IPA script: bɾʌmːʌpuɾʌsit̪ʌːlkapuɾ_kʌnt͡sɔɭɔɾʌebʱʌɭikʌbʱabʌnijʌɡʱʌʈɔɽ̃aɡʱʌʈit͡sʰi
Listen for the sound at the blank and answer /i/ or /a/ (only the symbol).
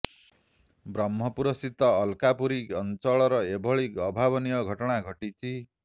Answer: i